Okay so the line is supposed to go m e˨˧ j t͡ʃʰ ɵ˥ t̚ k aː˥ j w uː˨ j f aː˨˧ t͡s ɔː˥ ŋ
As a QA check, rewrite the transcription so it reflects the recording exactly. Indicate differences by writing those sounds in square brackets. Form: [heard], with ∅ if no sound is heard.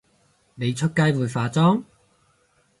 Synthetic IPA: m e˨˧ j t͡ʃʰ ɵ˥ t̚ k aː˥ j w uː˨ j f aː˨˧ t͡s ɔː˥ ŋ

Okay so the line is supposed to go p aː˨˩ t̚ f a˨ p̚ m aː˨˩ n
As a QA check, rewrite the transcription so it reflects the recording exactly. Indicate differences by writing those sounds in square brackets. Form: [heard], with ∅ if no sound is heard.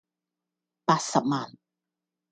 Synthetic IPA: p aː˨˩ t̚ [s] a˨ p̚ m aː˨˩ n

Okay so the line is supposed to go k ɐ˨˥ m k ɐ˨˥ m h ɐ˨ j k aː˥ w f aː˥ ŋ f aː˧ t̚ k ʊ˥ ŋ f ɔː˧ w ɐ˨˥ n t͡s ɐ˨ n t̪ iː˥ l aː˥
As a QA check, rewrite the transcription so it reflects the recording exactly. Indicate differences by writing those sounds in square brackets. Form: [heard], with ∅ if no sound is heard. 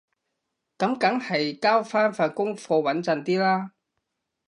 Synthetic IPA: k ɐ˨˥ m k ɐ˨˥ [ŋ] h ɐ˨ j k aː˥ w f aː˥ [n] f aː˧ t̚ k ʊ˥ ŋ f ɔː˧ w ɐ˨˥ n t͡s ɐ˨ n t̪ iː˥ l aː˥

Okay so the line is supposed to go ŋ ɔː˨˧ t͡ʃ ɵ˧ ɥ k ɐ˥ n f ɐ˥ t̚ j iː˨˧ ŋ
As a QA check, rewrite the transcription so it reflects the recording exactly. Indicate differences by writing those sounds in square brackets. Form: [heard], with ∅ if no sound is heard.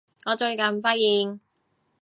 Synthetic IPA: ŋ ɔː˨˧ t͡ʃ ɵ˧ ɥ k [ɐ˨] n f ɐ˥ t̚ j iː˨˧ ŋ

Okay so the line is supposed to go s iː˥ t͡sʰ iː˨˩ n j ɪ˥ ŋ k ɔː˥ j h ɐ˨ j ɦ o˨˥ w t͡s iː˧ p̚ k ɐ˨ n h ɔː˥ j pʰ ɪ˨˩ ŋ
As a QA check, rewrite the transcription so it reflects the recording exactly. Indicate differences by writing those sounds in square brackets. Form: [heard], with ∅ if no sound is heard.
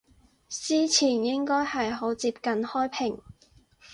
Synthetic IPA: s iː˥ t͡sʰ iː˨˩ n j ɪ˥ ŋ k ɔː˥ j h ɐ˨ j ɦ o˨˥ w t͡s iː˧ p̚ k ɐ˨ n h ɔː˥ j pʰ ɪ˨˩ ŋ

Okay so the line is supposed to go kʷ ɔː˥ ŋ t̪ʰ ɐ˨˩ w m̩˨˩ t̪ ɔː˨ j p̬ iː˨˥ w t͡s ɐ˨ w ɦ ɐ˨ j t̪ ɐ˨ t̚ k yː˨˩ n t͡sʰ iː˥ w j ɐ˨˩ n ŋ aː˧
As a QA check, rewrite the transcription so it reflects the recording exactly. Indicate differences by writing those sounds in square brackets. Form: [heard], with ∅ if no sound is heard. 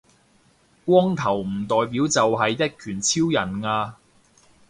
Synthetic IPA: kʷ ɔː˥ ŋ t̪ʰ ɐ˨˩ w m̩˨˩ t̪ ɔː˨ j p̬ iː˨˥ w t͡s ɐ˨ w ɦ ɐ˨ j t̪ [ɐ˥] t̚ [kʰ] yː˨˩ n t͡sʰ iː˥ w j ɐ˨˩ n ŋ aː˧

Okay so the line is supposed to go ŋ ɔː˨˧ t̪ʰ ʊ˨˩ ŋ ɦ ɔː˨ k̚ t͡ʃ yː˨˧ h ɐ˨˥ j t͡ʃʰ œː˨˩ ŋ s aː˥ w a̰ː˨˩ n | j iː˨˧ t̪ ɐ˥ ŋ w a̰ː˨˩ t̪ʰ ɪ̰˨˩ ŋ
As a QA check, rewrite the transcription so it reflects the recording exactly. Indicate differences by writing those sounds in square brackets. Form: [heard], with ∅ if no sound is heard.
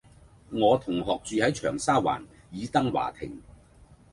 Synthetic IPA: ŋ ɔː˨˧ t̪ʰ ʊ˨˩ ŋ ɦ ɔː˨ k̚ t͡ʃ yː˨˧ h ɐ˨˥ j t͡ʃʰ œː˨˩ ŋ s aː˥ w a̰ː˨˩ n | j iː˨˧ t̪ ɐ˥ ŋ w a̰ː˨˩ t̪ʰ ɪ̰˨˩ ŋ

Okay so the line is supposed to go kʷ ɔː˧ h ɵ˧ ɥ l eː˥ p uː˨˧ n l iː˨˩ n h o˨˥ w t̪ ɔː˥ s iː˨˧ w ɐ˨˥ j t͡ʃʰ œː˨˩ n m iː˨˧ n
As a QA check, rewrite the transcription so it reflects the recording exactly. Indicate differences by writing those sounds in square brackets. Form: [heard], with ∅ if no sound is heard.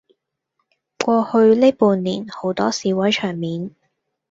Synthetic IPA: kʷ ɔː˧ h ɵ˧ ɥ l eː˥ p uː˨˧ n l iː˨˩ n h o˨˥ w t̪ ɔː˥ s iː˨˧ w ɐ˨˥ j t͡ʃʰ œː˨˩ [ŋ] m iː˨˧ n

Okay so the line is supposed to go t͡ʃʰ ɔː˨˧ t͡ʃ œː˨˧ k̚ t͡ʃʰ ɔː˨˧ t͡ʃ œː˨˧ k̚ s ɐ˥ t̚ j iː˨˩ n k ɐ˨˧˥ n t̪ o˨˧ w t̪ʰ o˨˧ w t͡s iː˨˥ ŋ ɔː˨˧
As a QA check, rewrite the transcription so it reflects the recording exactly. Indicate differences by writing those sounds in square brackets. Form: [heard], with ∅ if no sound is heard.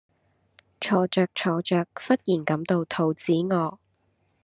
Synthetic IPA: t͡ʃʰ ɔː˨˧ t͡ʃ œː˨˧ k̚ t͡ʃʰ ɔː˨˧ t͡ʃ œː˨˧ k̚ [f] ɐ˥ t̚ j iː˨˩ n k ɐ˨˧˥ [m] t̪ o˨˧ w t̪ʰ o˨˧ w t͡s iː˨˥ ŋ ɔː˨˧

